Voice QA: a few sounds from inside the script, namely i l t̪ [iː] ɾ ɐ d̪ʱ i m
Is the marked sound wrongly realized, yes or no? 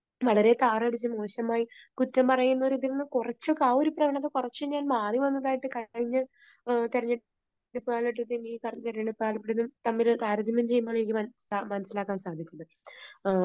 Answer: yes